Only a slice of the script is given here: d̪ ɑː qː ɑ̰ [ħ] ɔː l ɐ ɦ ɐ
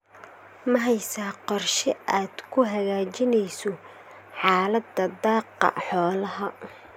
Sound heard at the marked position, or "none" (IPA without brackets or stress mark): ħ